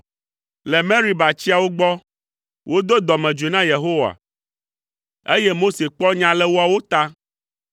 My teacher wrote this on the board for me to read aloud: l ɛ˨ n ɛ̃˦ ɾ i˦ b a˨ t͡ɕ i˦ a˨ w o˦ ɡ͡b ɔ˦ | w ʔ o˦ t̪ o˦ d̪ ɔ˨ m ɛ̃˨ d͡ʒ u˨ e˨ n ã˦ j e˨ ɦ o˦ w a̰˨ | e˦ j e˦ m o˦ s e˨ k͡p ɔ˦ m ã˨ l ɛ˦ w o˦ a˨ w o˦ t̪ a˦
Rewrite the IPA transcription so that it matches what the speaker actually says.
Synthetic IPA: l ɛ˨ m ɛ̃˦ ɾ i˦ b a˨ t͡ɕ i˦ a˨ w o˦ ɡ͡b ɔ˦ | w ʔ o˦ d̪ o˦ d̪ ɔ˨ m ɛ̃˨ d͡ʒ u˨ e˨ n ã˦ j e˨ ɦ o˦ w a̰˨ | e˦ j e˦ m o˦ s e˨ k͡p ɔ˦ ɲ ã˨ l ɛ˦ w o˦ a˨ w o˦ t̪ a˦